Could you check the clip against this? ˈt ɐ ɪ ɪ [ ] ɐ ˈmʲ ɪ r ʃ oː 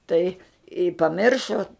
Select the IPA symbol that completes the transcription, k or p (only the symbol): p